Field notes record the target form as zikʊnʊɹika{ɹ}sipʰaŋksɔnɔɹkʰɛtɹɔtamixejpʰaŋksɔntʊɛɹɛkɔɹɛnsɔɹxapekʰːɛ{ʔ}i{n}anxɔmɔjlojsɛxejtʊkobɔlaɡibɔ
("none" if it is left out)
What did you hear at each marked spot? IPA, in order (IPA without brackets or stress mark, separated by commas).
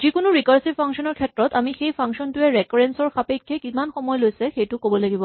ɹ, k, m